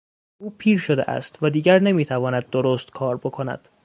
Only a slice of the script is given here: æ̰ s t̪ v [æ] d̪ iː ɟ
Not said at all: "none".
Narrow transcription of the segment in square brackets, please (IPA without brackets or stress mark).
æ